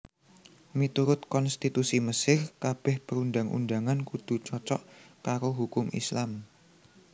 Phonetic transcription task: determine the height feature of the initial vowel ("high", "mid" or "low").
high